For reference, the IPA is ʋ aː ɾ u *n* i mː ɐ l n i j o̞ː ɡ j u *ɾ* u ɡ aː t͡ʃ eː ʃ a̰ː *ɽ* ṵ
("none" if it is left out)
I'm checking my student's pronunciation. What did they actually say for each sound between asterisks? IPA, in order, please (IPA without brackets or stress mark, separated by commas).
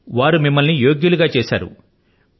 m, l, ɾ